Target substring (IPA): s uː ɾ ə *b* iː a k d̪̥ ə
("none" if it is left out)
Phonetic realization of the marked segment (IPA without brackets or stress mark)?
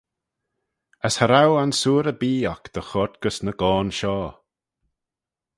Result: b